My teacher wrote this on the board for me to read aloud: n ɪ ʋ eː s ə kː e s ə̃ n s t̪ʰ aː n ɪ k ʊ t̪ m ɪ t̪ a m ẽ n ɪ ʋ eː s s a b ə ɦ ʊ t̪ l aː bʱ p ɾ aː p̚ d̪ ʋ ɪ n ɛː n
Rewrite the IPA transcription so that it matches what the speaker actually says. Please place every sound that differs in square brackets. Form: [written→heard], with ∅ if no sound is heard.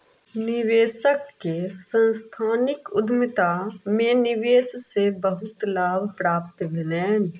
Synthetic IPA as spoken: n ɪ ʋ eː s ə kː e s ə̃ n s t̪ʰ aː n ɪ k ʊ [t̪→d̪] m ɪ t̪ a m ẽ n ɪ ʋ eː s s [a→e] b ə ɦ ʊ t̪ l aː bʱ p ɾ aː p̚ [d̪→t̪] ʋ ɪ n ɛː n